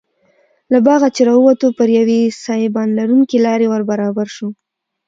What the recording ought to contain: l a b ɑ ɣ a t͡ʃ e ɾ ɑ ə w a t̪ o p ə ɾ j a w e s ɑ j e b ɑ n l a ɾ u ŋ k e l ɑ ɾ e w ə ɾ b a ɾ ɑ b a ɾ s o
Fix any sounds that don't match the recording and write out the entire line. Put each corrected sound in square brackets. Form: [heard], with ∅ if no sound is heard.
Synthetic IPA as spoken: l a b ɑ ɣ a t͡ʃ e ɾ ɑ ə w a t̪ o p ə ɾ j a w e s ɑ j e b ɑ n l a ɾ u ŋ k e l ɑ ɾ e w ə ɾ b a ɾ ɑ b a ɾ [ʃ] o